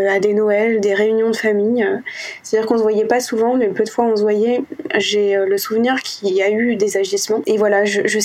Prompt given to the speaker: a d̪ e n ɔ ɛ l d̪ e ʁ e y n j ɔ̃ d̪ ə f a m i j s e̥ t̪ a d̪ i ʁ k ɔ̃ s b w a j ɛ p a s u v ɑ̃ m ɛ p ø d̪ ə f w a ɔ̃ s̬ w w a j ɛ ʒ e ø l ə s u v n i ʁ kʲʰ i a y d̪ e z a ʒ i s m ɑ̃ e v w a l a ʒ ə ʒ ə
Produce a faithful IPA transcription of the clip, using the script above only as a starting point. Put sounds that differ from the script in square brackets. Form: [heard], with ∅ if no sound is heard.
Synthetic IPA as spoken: a d̪ e n ɔ ɛ l d̪ e ʁ e y n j ɔ̃ d̪ ə f a m i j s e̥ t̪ a d̪ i ʁ k ɔ̃ s [v] w a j ɛ p a s u v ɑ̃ m ɛ p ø d̪ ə f w a ɔ̃ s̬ [v] w a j ɛ ʒ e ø l ə s u v n i ʁ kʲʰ i a y d̪ e z a ʒ i s m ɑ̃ e v w a l a ʒ ə ʒ ə